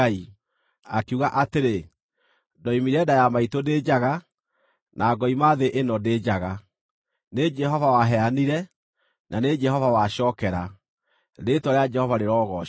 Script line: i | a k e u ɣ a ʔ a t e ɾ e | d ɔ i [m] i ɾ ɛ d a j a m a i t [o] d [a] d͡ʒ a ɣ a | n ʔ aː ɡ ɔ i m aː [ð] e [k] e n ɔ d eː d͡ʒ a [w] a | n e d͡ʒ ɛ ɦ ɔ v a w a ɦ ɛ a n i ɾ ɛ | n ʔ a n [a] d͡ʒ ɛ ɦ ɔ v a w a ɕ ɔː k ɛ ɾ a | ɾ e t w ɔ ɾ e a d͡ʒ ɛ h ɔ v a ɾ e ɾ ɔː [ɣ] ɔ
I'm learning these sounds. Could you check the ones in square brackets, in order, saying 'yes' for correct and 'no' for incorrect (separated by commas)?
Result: yes, yes, no, yes, no, no, no, yes